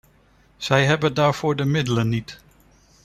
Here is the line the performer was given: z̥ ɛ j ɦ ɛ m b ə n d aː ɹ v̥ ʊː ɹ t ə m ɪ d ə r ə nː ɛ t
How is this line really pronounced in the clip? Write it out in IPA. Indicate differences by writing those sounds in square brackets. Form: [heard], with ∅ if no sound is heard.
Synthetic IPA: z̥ ɛ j ɦ ɛ [∅] b ə n d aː ɹ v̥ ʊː ɹ [d] ə m ɪ d ə [l] ə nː [i] t